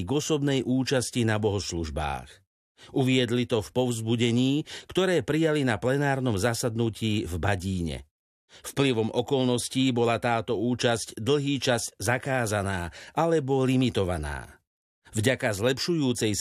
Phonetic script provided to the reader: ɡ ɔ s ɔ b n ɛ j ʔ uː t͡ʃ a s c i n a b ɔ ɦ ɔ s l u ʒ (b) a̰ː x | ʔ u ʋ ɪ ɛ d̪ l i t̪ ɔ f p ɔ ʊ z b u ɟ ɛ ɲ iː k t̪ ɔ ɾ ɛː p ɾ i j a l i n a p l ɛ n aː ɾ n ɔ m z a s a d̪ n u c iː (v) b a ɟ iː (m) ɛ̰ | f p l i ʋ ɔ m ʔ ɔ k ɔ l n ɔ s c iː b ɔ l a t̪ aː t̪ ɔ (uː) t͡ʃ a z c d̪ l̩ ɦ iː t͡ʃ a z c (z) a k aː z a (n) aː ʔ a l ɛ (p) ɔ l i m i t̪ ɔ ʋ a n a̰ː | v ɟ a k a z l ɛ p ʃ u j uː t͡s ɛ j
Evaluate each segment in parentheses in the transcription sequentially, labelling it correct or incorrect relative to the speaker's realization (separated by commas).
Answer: correct, correct, incorrect, correct, correct, correct, incorrect